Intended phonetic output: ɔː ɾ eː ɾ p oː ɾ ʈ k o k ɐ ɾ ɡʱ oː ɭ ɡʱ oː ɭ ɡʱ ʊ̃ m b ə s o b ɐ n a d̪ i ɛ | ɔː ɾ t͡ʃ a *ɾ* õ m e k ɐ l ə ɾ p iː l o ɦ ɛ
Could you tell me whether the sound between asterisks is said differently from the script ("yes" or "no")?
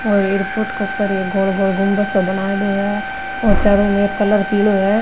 no